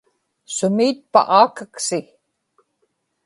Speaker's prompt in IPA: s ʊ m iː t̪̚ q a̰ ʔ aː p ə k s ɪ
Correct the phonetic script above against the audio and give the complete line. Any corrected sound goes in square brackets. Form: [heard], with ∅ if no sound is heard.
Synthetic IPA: s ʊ m iː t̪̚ [p] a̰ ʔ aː [k] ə k s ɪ